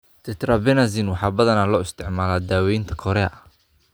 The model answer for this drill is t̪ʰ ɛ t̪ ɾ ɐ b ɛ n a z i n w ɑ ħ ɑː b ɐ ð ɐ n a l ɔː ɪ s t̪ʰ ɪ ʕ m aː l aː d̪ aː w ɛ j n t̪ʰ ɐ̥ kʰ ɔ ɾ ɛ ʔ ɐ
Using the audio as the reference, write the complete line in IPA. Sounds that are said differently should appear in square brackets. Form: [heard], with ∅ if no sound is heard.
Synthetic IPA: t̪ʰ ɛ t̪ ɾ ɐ b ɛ n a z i n w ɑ ħ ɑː b ɐ ð ɐ n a l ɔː ɪ s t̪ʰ ɪ ʕ m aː l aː d̪ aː w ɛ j n t̪ʰ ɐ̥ kʰ ɔ ɾ ɛ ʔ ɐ